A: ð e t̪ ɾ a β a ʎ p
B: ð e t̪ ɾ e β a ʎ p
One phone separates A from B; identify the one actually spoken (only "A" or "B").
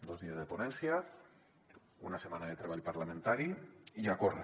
B